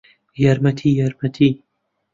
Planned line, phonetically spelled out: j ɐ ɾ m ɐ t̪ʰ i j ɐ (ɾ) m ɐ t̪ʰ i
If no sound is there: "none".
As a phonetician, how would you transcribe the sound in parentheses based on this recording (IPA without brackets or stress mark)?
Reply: ɾ